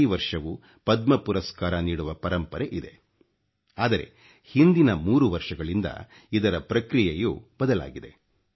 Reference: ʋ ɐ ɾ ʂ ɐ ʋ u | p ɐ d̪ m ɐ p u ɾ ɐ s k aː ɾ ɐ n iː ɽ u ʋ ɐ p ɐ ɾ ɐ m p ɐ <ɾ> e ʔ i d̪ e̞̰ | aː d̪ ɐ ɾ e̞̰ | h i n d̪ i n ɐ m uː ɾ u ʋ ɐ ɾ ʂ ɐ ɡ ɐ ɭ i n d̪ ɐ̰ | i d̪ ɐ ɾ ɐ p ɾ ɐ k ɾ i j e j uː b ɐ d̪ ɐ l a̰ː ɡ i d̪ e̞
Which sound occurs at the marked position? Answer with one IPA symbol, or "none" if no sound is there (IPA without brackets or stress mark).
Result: ɾ